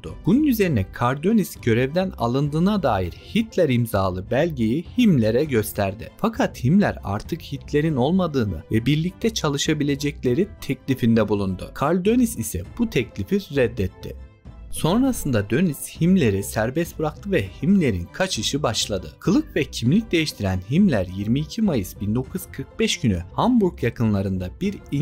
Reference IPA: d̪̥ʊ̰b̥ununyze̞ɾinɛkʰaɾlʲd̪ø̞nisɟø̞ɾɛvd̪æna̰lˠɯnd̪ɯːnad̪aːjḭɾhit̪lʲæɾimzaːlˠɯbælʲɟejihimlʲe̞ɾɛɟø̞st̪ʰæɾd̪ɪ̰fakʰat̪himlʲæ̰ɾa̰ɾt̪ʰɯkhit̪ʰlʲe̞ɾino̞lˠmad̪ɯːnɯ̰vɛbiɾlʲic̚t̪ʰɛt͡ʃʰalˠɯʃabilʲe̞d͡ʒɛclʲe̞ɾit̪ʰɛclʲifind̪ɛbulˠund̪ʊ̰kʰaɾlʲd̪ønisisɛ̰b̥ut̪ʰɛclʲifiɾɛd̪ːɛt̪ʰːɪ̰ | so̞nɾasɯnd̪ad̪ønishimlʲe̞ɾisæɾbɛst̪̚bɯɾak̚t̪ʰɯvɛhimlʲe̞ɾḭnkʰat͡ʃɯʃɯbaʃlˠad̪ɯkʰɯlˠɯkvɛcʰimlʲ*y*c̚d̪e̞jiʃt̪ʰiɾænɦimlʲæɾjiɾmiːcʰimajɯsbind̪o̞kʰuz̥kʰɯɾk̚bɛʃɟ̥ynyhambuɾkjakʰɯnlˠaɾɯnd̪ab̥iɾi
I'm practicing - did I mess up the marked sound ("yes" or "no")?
yes